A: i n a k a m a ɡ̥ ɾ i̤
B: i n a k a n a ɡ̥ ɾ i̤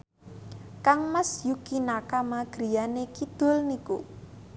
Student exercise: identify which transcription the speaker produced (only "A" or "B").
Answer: A